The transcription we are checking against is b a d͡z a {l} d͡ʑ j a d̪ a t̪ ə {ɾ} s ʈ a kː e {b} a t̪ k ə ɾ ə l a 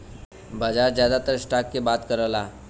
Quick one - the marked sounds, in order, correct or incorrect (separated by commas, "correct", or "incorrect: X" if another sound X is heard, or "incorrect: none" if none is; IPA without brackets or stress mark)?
incorrect: ɾ, correct, correct